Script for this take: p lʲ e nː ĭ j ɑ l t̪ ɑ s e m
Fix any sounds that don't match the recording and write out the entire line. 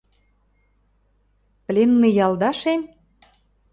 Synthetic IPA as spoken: p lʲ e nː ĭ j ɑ l d̪ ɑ ʃ e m